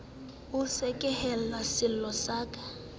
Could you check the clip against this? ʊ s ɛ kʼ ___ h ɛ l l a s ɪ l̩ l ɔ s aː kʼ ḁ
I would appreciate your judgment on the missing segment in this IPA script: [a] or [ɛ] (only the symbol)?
ɛ